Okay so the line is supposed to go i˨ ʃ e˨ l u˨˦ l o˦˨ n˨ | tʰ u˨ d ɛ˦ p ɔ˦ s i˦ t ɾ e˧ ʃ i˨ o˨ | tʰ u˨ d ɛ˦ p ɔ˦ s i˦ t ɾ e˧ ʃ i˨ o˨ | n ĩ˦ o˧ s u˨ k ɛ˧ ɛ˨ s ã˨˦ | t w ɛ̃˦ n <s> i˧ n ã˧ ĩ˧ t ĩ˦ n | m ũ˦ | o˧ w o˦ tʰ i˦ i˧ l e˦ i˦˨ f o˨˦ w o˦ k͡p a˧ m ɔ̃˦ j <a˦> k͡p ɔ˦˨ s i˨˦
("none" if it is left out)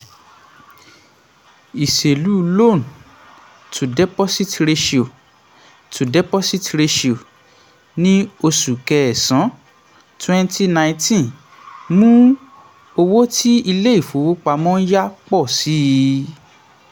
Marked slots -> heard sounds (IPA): t, a˦

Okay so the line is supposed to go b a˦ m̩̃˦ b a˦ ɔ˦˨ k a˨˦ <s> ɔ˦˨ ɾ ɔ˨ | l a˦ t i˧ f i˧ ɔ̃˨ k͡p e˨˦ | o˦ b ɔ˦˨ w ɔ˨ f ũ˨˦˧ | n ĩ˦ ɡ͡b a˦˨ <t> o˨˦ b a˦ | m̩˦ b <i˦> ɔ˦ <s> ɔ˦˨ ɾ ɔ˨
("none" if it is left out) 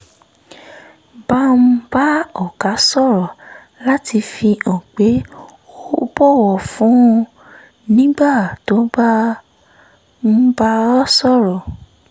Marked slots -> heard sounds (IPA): s, t, a˦, s

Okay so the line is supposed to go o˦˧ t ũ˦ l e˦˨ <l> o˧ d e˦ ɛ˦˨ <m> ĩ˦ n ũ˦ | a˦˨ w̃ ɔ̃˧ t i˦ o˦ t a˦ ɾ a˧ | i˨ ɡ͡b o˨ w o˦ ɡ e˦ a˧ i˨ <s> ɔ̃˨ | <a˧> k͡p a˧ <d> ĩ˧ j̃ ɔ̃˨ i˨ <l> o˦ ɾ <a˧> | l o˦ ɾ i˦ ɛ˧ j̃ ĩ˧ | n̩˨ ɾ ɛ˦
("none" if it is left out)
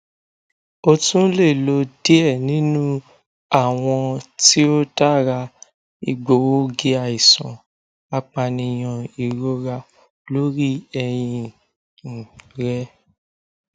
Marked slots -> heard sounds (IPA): l, n, s, a˧, n, ɾ, a˧

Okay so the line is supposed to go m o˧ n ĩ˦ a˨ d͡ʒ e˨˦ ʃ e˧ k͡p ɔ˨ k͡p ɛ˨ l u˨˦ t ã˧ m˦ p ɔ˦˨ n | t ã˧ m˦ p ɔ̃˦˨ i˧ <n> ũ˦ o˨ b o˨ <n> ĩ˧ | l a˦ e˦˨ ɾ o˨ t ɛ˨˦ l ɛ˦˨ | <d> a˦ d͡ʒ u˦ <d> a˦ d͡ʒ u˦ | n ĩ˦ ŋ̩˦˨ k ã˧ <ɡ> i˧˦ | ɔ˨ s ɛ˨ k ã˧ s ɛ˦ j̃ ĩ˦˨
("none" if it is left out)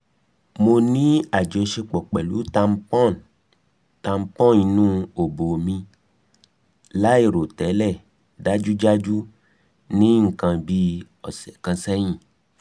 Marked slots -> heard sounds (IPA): n, m, d, d͡ʒ, b

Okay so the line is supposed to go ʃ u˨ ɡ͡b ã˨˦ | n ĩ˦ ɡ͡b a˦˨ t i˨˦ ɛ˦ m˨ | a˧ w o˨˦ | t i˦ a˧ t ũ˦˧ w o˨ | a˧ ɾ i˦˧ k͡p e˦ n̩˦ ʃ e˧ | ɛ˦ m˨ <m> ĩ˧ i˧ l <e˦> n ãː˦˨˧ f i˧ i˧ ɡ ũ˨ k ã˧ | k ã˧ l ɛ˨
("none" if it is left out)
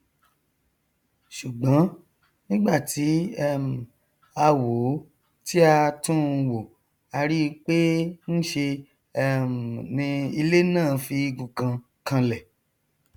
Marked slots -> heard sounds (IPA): n, e˦

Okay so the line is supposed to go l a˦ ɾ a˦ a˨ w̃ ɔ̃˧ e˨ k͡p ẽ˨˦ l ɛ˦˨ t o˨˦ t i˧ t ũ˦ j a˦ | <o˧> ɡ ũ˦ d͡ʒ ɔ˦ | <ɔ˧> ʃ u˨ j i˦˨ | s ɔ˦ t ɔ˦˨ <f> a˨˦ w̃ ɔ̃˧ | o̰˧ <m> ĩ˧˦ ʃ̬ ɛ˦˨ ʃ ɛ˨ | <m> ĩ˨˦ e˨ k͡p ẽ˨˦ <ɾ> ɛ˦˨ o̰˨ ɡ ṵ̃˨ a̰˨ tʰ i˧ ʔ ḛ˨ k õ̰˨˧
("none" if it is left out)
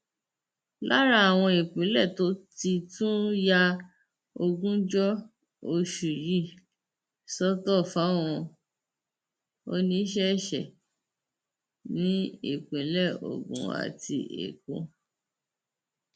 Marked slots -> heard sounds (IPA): o˧, o˧, f, n, n, l

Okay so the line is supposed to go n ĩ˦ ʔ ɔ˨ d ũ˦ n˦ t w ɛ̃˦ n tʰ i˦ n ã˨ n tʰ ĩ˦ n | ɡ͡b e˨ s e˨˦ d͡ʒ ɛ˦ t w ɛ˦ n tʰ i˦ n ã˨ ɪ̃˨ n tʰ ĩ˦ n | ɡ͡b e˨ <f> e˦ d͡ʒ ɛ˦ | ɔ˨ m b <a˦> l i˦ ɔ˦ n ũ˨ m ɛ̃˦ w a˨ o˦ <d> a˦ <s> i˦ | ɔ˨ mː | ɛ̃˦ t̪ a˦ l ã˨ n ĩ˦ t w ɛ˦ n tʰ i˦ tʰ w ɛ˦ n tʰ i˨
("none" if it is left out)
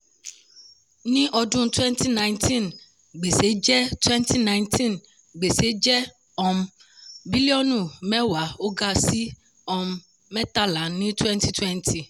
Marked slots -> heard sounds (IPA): s, i˦, ɡ, s

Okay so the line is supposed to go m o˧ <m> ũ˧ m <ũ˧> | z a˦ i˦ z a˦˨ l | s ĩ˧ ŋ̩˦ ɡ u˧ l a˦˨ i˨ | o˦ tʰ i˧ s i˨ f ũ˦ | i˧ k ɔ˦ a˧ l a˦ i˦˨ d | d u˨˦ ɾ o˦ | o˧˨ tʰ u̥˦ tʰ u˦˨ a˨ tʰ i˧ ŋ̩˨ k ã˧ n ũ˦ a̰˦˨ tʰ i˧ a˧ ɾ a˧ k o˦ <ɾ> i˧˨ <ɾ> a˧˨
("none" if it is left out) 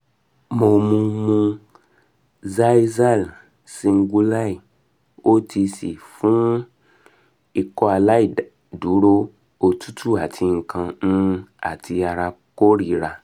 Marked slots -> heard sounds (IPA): m, ũ˧, ɾ, ɾ

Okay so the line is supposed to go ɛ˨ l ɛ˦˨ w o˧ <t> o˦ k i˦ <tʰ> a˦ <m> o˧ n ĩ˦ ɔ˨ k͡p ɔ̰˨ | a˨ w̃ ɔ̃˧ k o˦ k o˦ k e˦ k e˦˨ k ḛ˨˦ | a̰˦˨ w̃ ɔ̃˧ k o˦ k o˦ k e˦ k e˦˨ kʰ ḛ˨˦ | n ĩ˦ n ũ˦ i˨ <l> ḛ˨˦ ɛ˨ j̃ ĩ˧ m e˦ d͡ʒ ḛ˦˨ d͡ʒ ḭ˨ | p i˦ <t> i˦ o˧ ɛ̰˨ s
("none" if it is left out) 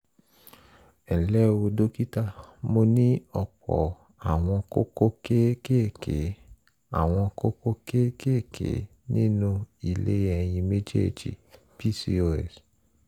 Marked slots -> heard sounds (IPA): d, t, m, l, s

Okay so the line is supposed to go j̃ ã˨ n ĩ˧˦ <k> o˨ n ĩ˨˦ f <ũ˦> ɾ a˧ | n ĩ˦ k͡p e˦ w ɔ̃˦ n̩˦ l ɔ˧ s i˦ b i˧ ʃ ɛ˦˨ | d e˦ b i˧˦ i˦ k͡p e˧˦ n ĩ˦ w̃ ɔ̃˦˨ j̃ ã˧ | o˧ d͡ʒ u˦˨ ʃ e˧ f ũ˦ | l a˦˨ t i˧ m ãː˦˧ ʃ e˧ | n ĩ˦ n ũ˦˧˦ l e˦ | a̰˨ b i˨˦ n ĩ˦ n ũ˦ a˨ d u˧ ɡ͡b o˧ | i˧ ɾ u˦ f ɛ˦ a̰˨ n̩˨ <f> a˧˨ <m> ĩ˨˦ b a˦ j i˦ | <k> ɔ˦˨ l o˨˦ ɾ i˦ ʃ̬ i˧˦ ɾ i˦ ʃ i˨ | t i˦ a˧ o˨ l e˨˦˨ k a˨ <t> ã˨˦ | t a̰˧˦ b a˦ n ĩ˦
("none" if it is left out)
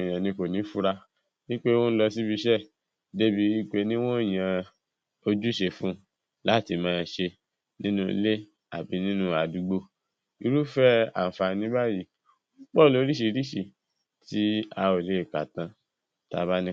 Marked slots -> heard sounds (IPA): k, u˦, f, n, k͡p, t

